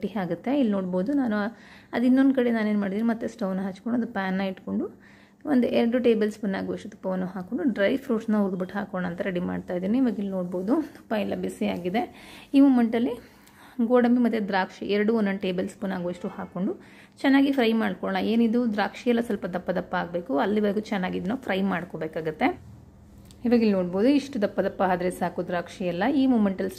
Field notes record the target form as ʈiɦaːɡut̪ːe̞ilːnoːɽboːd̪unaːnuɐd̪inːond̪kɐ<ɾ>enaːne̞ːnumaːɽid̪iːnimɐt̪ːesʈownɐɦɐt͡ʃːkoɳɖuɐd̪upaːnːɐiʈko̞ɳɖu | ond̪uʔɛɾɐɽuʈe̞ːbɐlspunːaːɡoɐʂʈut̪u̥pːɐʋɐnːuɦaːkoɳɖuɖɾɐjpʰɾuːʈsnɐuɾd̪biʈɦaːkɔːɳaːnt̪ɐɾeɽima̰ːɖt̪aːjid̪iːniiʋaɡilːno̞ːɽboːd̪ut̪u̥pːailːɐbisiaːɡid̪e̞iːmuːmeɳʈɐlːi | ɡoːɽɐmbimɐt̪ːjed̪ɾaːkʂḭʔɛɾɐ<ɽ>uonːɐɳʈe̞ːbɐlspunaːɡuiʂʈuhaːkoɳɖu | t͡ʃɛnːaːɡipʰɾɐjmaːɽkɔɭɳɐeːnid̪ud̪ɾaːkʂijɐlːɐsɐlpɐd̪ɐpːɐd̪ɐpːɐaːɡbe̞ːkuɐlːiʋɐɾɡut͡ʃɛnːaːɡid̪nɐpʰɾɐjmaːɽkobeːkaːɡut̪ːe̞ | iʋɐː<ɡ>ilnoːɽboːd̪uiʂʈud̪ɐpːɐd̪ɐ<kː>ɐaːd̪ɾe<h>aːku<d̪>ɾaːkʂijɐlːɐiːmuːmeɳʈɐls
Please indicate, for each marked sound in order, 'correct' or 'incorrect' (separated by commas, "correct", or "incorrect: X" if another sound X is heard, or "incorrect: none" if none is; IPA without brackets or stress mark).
incorrect: ɽ, correct, correct, incorrect: pː, incorrect: s, correct